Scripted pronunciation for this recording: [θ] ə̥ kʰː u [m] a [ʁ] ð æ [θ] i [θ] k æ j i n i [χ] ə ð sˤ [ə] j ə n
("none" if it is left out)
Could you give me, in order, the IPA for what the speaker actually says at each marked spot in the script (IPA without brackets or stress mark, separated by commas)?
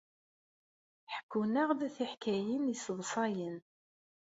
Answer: ħ, n, ʁ, θ, ħ, s, ɑ